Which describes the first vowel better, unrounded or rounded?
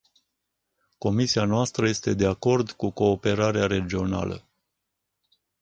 rounded